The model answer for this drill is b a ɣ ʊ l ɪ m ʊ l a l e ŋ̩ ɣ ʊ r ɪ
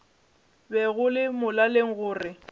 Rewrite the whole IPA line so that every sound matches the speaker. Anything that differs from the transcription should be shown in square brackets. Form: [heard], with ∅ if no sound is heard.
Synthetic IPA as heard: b [ɛ] ɣ ʊ l ɪ m ʊ l a l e ŋ̩ ɣ [ʊː] r ɪ